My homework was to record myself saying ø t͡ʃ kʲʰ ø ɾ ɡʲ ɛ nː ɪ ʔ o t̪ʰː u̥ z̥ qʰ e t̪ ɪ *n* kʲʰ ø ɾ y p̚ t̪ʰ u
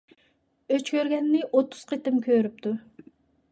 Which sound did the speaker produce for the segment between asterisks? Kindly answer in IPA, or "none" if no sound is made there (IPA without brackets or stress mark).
m